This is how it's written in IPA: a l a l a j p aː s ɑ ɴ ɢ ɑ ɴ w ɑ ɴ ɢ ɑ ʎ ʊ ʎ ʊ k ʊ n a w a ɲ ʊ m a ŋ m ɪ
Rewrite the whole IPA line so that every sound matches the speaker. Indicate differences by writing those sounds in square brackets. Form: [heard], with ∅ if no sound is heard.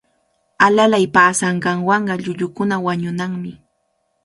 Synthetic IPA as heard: a l a l a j p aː s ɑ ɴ ɢ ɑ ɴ w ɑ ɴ ɢ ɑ ʎ ʊ ʎ ʊ k ʊ n a w a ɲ ʊ [n] a ŋ m ɪ

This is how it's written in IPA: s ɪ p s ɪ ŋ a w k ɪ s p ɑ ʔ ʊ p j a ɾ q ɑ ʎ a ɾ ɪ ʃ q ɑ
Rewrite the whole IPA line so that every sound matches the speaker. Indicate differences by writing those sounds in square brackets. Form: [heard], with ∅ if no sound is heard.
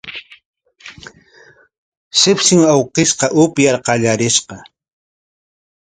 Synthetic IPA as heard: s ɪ p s ɪ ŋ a w [q] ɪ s [q] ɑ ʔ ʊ p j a ɾ q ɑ ʎ a ɾ ɪ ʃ q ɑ

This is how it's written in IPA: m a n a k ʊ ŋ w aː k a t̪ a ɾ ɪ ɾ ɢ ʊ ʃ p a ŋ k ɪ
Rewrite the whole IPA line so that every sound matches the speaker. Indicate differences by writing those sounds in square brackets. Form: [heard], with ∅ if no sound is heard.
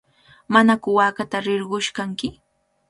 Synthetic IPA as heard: m a n a k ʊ [∅] w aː k a t̪ a ɾ ɪ ɾ ɢ ʊ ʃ [k] a ŋ k ɪ

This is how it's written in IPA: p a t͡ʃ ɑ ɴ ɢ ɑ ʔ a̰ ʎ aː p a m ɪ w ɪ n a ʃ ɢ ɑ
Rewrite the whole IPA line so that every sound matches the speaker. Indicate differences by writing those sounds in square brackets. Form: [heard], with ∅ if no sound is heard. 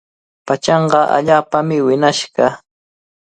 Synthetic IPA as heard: p a t͡ʃ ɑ ɴ ɢ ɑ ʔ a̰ ʎ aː p a m ɪ w ɪ n a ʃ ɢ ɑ

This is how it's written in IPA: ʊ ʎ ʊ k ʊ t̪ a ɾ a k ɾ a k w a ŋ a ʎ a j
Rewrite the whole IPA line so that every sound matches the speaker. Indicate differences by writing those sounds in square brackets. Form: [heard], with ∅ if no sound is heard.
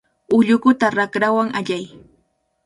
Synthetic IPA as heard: ʊ ʎ ʊ k ʊ t̪ a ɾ a k ɾ a [∅] w a ŋ a ʎ a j

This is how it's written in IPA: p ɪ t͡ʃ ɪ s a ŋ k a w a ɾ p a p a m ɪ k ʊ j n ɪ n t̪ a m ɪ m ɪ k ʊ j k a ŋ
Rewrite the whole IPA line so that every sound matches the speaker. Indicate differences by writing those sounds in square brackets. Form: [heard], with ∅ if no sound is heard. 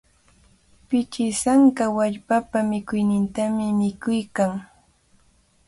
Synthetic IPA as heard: p ɪ t͡ʃ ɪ s a ŋ k a w a [ʎ] p a p a m ɪ k ʊ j n ɪ n t̪ a m ɪ m ɪ k ʊ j k a ŋ

